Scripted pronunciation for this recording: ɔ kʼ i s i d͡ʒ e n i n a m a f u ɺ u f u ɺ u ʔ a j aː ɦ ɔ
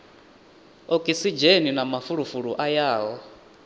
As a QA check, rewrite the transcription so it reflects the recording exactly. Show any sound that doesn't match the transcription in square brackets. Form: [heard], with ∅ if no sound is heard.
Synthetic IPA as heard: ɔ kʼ i s i d͡ʒ e n i n a m a f u ɺ u f u ɺ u ʔ a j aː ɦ ɔ